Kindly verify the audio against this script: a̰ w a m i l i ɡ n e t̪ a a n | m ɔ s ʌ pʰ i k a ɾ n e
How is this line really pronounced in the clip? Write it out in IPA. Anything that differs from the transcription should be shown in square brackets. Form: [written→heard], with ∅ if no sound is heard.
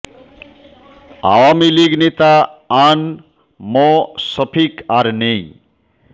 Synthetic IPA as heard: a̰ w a m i l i ɡ n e t̪ a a n | m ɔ s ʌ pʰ i k a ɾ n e